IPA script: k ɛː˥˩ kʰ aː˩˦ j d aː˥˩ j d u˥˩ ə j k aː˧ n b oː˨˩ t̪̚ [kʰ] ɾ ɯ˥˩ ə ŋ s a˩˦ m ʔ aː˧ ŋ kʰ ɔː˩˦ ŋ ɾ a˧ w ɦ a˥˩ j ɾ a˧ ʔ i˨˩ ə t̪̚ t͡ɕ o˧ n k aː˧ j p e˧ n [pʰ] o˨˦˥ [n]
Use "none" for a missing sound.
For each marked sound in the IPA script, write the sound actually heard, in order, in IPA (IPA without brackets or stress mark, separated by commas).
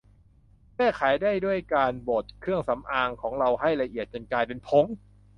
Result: kʰ, pʰ, ŋ